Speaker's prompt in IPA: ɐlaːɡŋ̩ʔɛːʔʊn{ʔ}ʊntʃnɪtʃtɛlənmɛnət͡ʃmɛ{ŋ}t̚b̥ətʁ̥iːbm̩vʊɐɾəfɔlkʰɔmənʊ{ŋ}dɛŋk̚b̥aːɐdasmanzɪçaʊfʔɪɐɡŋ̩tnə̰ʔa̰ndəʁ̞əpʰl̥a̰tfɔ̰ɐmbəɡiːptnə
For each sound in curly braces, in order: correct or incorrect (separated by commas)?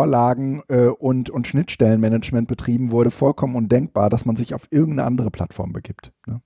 incorrect, incorrect, incorrect